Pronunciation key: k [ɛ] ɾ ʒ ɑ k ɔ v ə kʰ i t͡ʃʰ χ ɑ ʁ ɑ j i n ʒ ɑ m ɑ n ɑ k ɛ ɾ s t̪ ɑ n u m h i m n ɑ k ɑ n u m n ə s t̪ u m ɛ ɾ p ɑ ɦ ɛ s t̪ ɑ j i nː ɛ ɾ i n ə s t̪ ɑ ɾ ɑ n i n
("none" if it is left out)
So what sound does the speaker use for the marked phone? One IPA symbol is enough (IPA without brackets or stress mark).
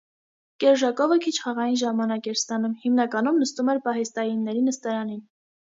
ɛ